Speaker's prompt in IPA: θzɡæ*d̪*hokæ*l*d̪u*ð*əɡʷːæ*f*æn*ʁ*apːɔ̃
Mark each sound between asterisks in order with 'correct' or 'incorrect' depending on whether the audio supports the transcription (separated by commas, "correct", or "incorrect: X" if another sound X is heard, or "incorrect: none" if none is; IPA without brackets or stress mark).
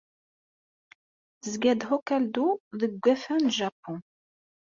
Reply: correct, correct, correct, correct, incorrect: ʒ